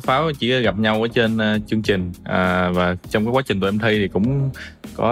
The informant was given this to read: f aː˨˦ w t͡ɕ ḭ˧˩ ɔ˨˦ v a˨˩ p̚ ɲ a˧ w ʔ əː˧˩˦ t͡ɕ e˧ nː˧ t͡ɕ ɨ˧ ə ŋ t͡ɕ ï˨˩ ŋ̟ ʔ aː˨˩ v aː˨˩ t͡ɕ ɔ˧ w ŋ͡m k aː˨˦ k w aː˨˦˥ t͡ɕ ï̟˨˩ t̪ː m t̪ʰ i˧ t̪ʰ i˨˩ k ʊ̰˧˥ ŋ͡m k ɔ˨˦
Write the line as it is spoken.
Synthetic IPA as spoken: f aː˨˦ w t͡ɕ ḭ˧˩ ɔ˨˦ ɣ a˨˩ p̚ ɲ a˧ w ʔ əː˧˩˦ t͡ɕ e˧ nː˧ t͡ɕ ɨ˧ ə ŋ t͡ɕ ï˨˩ ŋ̟ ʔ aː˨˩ v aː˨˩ t͡ɕ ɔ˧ w ŋ͡m k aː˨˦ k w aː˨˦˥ t͡ɕ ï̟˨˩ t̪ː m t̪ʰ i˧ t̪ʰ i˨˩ k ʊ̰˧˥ ŋ͡m k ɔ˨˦